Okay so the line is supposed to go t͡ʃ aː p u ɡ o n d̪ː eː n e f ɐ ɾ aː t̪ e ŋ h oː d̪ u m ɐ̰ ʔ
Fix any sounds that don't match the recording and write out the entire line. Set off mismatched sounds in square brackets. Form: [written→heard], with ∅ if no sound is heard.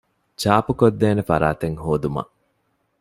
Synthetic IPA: t͡ʃ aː p u [ɡ→k] o [n→∅] d̪ː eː n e f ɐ ɾ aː t̪ e ŋ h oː d̪ u m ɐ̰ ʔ